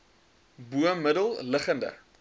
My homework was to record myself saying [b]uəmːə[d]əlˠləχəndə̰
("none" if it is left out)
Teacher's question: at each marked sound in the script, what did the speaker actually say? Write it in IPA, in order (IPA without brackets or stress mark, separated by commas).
b, d